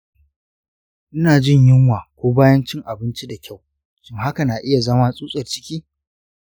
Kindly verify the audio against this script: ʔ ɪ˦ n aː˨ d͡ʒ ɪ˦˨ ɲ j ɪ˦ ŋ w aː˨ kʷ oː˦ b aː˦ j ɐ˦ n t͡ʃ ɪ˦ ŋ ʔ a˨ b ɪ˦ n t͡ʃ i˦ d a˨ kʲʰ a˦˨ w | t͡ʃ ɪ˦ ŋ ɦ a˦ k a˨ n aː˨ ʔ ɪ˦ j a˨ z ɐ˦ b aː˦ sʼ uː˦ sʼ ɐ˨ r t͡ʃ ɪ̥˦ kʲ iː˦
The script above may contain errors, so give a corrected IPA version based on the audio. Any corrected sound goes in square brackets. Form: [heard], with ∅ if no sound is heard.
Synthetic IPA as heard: ʔ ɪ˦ n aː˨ d͡ʒ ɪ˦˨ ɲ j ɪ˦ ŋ w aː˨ kʷ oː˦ b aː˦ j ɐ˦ n t͡ʃ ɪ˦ ŋ ʔ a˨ b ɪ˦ n t͡ʃ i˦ d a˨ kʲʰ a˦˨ w | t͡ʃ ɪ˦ ŋ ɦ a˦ k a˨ n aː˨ ʔ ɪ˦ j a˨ z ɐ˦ [m] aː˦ sʼ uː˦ sʼ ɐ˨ r t͡ʃ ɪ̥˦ kʲ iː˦